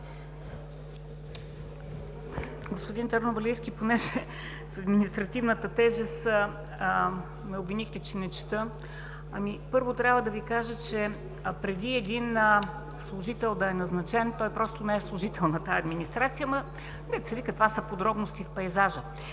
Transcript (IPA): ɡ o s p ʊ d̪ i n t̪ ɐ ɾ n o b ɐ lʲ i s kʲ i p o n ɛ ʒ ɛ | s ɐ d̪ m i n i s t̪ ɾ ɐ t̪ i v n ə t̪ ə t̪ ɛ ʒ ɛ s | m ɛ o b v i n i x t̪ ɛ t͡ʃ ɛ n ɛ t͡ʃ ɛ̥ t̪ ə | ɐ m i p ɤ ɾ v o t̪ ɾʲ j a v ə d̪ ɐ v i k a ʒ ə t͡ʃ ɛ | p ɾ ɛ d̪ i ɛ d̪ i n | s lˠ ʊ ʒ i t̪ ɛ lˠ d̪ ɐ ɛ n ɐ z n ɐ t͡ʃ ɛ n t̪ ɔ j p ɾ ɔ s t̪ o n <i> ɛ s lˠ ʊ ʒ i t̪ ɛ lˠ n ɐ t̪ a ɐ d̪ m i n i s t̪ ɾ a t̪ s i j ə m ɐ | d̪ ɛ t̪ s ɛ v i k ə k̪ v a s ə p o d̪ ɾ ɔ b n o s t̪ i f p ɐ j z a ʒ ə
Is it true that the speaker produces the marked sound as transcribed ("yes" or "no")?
no